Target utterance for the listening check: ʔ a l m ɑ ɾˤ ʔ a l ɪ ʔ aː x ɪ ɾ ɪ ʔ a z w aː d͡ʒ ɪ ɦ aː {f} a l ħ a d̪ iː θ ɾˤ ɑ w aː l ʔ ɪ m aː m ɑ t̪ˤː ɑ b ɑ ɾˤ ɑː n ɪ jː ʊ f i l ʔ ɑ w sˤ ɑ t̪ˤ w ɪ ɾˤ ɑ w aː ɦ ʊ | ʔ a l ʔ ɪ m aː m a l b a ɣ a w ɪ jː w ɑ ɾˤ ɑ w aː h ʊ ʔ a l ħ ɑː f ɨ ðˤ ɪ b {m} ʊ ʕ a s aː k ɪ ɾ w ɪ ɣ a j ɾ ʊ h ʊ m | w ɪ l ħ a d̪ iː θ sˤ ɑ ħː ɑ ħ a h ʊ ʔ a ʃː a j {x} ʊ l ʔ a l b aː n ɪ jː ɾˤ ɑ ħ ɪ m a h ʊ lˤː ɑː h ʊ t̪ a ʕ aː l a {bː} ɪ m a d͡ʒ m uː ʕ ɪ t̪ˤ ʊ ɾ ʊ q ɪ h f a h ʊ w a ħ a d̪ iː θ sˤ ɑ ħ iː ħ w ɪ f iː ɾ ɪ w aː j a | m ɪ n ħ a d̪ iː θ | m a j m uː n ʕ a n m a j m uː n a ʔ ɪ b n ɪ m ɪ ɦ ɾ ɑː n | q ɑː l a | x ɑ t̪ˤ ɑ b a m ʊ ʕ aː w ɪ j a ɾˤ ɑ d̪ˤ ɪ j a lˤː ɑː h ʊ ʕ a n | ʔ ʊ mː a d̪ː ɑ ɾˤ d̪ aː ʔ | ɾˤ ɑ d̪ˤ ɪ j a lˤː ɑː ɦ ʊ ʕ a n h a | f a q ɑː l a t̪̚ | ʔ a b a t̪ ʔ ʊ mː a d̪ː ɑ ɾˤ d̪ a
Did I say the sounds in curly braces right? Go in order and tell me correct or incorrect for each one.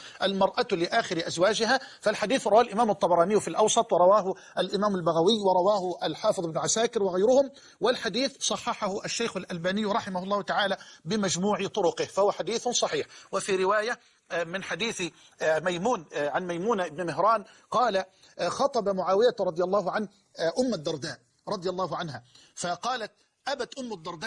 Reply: correct, incorrect: n, correct, incorrect: b

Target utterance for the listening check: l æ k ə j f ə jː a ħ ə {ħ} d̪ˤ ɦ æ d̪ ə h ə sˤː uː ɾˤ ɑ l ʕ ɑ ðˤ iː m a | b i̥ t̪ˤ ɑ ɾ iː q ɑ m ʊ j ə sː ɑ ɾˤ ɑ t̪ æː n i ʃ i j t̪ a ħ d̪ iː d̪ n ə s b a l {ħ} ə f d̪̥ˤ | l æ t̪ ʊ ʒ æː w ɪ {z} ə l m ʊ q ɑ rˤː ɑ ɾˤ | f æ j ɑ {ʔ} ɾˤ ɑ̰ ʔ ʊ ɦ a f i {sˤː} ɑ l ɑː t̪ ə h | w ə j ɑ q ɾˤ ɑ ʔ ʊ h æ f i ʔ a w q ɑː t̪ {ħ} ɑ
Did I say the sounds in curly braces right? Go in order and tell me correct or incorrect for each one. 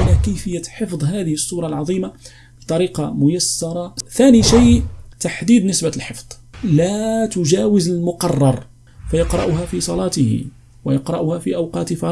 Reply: incorrect: f, correct, correct, incorrect: q, incorrect: sˤ, incorrect: f

